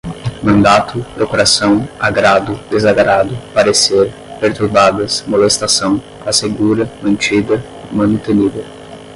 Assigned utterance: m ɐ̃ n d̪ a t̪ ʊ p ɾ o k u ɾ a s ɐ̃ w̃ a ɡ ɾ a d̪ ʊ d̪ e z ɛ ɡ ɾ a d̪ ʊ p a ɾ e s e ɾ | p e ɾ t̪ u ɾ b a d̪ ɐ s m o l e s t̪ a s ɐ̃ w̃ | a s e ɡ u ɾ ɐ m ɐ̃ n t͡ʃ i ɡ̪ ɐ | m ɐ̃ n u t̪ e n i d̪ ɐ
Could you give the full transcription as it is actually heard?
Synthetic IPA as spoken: m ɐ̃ n d̪ a t̪ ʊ p ɾ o k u ɾ a s ɐ̃ w̃ a ɡ ɾ a d̪ ʊ d̪ e z a ɡ ɾ a d̪ ʊ p a ɾ e s e ɾ | p e ɾ t̪ u ɾ b a d̪ ɐ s m o l e s t̪ a s ɐ̃ w̃ | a s e ɡ u ɾ ɐ m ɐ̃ n t͡ʃ i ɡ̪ ɐ | m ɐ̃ n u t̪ e n i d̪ ɐ